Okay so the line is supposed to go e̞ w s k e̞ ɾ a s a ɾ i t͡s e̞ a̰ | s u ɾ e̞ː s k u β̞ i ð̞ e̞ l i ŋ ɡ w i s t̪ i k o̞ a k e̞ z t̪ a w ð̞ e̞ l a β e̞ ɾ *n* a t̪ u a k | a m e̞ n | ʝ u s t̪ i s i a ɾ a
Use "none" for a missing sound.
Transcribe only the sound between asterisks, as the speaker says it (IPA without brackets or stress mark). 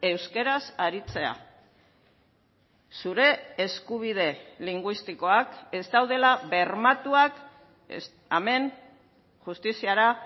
m